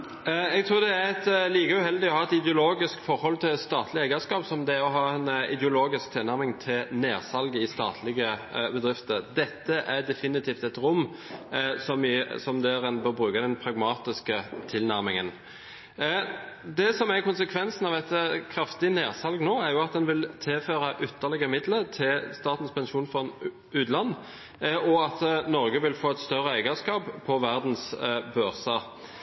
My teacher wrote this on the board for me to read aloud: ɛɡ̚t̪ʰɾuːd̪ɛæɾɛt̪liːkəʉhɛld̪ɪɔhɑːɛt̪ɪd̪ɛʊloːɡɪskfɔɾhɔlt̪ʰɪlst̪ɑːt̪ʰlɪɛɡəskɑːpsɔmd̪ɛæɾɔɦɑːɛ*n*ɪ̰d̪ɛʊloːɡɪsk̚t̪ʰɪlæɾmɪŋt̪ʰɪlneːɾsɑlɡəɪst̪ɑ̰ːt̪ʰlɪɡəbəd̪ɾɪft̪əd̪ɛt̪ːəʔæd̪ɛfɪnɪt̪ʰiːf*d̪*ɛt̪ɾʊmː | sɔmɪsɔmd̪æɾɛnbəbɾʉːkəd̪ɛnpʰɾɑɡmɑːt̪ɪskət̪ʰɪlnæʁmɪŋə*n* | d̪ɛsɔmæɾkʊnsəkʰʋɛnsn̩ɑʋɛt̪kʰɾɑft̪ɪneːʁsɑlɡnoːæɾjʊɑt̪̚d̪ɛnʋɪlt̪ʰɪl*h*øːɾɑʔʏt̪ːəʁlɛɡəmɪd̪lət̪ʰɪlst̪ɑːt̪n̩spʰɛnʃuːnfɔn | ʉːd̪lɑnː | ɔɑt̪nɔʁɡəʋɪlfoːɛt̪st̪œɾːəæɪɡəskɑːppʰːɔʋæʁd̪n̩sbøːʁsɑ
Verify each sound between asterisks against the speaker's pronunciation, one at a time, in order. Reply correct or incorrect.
correct, incorrect: t̪, correct, incorrect: f

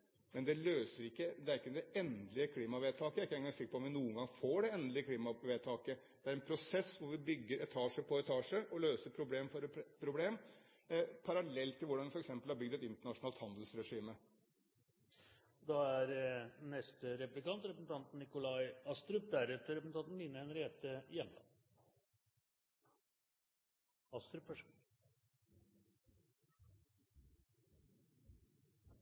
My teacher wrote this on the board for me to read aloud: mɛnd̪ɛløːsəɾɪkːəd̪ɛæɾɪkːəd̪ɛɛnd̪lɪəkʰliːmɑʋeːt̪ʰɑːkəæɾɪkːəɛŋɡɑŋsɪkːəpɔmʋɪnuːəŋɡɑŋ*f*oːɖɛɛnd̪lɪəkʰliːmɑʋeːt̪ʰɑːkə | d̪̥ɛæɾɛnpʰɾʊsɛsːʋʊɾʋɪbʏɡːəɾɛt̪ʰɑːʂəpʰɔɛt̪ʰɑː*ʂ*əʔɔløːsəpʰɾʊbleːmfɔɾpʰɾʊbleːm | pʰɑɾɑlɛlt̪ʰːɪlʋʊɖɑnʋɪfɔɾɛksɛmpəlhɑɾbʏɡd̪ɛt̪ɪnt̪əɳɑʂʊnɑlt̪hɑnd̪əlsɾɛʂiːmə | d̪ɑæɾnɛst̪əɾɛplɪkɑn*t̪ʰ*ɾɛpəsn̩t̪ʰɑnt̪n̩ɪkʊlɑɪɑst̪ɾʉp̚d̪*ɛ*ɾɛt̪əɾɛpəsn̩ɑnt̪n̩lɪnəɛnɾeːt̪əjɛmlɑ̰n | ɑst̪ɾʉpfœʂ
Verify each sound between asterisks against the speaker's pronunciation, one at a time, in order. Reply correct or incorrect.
correct, correct, incorrect: t̪, incorrect: æ

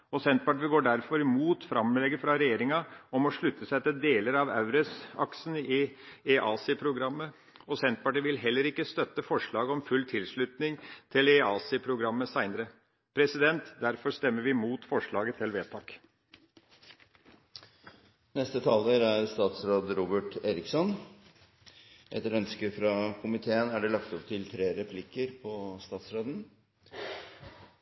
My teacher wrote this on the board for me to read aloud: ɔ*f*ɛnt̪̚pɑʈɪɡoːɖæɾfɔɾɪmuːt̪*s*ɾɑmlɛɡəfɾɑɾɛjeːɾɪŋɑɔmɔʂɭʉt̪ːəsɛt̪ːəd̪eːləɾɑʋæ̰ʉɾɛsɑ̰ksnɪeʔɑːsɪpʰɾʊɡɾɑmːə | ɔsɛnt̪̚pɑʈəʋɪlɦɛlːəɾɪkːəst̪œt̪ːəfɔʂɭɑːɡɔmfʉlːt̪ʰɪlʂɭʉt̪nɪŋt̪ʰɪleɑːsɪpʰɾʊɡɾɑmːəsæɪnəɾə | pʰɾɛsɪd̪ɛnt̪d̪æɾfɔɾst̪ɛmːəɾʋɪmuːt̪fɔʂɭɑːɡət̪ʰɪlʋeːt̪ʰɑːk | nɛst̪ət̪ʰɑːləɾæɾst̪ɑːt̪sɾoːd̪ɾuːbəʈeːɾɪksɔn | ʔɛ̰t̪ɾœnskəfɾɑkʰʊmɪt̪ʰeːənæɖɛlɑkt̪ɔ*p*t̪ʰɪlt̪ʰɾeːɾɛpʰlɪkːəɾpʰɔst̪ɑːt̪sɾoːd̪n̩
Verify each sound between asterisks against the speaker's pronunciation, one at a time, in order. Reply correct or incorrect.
incorrect: s, incorrect: f, correct

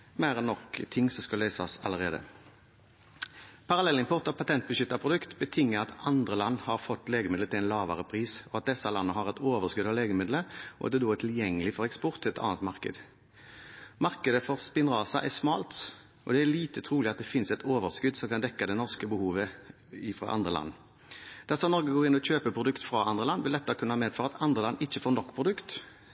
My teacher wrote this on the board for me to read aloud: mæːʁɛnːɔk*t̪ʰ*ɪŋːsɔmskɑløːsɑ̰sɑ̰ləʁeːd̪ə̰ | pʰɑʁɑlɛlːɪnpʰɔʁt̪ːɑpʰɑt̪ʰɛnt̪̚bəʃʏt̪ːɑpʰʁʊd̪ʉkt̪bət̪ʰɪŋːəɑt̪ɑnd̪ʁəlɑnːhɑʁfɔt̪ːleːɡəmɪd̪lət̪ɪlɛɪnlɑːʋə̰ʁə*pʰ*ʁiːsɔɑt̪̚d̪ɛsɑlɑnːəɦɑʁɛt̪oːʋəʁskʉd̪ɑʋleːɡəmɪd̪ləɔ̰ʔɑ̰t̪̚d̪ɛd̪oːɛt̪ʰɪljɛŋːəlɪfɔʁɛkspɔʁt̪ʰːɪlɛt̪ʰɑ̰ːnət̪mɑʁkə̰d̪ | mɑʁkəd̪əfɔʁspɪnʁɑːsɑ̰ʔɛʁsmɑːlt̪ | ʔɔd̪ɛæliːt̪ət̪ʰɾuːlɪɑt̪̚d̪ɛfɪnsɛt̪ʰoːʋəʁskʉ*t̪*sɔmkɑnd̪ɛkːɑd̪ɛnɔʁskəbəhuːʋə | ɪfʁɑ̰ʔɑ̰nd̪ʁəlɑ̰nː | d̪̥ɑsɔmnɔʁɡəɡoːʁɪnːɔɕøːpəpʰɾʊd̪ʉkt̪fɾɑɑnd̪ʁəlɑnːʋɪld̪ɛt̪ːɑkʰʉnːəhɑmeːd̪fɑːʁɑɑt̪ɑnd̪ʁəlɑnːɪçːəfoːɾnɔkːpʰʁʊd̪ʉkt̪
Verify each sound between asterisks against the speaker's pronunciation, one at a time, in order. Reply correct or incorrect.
correct, correct, incorrect: d̪

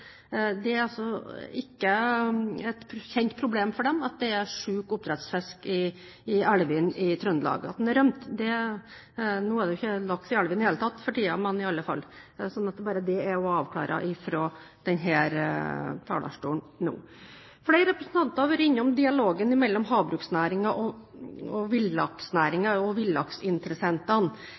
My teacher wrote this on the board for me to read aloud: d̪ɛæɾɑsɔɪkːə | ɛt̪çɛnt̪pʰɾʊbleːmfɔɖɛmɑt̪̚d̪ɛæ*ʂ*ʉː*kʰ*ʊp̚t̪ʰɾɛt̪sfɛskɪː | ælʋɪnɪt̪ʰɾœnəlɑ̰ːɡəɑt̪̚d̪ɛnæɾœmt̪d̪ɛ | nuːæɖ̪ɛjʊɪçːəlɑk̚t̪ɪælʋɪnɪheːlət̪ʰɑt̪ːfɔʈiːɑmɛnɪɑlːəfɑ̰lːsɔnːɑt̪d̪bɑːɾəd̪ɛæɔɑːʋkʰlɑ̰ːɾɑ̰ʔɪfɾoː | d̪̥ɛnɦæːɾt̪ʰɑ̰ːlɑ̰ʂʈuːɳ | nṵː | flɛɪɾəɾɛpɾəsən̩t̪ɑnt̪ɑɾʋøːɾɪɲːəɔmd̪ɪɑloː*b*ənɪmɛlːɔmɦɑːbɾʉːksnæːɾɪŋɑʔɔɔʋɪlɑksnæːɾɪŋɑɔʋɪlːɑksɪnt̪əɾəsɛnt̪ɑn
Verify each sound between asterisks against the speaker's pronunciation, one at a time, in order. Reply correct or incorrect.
correct, incorrect: k, incorrect: ɡ

